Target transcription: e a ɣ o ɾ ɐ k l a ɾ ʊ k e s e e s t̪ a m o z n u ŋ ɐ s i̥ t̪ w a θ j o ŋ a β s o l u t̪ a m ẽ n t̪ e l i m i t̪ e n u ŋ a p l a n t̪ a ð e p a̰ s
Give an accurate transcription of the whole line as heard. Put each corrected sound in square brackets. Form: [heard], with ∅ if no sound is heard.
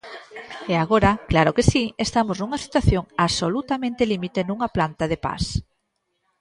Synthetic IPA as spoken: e a ɣ o ɾ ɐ k l a ɾ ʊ k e s [i] e s t̪ a m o z n u ŋ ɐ s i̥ t̪ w a θ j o ŋ a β s o l u t̪ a m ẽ n t̪ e l i m i t̪ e n u ŋ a p l a n t̪ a ð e p a̰ s